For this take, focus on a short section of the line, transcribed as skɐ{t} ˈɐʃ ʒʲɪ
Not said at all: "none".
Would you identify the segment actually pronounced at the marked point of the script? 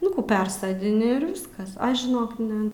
s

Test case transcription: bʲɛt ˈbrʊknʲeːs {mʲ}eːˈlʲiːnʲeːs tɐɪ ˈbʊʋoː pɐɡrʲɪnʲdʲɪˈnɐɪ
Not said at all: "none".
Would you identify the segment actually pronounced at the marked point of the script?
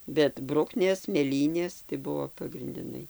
mʲ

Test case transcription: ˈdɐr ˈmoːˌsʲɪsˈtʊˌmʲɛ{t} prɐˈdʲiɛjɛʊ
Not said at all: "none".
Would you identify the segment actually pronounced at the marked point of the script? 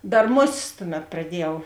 t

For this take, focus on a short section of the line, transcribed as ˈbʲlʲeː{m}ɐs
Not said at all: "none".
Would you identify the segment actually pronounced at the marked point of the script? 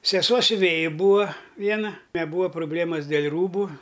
m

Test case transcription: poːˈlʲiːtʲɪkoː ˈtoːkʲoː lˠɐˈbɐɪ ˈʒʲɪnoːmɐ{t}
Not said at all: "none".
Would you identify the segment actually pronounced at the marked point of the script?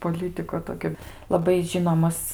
s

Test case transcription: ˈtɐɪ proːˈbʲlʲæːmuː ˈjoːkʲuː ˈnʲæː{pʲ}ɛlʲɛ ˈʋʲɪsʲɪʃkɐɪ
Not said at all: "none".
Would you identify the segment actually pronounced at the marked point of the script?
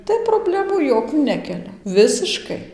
kʲ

